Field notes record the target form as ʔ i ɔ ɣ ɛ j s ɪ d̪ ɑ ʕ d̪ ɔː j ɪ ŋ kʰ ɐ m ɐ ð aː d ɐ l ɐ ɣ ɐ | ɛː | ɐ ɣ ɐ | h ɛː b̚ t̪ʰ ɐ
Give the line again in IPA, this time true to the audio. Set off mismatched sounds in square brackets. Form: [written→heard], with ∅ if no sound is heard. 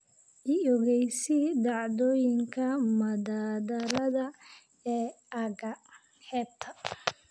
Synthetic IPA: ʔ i ɔ ɣ ɛ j s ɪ d̪ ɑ ʕ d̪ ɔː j ɪ ŋ kʰ ɐ m ɐ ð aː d ɐ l ɐ [ɣ→ð] ɐ | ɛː | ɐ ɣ ɐ | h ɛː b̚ t̪ʰ ɐ